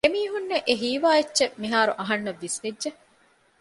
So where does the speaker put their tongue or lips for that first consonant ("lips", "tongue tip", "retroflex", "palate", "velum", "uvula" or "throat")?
lips